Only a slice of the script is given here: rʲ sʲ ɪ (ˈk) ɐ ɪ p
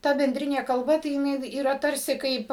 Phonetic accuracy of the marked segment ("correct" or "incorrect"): correct